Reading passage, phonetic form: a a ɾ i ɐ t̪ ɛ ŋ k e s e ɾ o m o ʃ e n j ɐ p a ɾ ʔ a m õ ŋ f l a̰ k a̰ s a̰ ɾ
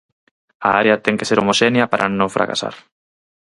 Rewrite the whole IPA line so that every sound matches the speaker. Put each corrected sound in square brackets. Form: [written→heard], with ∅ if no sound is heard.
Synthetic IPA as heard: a a ɾ [i→e] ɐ t̪ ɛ ŋ k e s e ɾ o m o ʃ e n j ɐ p a ɾ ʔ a [m→n] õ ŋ f [l→ɾ] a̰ k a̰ s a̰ ɾ